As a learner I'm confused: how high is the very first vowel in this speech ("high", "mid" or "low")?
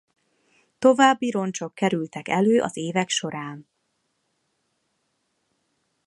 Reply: mid